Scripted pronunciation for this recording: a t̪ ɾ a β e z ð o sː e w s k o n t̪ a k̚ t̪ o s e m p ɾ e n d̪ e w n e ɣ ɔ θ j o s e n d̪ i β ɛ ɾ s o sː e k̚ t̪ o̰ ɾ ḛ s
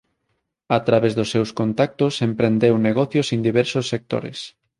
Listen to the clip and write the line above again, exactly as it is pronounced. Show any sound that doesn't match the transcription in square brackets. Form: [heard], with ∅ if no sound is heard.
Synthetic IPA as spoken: a t̪ ɾ a β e z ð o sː e w s k o n t̪ a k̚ t̪ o s e m p ɾ e n d̪ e w n e ɣ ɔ θ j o s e n d̪ i β ɛ ɾ s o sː e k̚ t̪ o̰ ɾ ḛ s